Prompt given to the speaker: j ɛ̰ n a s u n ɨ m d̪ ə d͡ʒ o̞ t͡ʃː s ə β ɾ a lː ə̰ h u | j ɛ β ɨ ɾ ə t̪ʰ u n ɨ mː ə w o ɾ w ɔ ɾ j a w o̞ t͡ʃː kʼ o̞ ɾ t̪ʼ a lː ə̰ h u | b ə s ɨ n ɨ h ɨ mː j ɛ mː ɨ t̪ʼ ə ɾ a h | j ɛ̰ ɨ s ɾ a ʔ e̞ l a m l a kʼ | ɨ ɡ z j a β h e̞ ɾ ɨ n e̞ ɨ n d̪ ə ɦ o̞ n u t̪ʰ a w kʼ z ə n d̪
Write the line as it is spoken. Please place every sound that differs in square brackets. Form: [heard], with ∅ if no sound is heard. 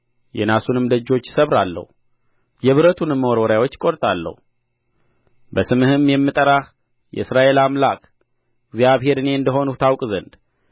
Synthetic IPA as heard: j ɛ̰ n a s u n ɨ m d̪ ə d͡ʒ o̞ t͡ʃː s ə β ɾ a lː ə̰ h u | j ɛ β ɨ ɾ ə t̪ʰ u n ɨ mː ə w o ɾ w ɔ ɾ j a w o̞ t͡ʃː kʼ o̞ ɾ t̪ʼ a lː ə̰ h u | b ə s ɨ [m] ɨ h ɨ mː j ɛ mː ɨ t̪ʼ ə ɾ a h | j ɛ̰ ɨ s ɾ a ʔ e̞ l a m l a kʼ | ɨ ɡ z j a β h e̞ ɾ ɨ n e̞ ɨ n d̪ ə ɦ o̞ n u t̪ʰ a w kʼ z ə n d̪